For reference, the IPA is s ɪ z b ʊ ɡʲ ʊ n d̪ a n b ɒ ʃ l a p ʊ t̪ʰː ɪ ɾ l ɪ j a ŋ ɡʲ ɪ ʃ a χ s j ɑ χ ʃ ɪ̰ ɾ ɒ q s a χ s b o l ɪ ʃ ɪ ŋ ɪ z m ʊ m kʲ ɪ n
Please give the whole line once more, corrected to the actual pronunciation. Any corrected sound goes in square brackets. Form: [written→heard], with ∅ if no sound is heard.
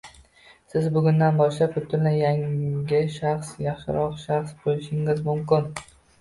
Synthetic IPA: s ɪ z b ʊ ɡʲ ʊ n d̪ a n b ɒ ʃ l a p ʊ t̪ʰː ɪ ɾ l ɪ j a ŋ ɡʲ ɪ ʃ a χ s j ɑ χ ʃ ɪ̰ ɾ ɒ q [s→ʃ] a χ s b o l ɪ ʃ ɪ ŋ ɪ z m ʊ m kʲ ɪ n